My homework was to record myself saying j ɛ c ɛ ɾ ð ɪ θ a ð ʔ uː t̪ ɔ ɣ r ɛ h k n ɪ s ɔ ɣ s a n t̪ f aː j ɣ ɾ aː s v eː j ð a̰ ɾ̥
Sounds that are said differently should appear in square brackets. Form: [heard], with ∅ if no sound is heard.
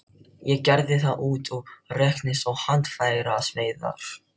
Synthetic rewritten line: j ɛ c ɛ ɾ ð ɪ θ a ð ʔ uː t̪ ɔ ɣ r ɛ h k n ɪ s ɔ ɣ [h] a n t̪ f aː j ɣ ɾ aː s v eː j ð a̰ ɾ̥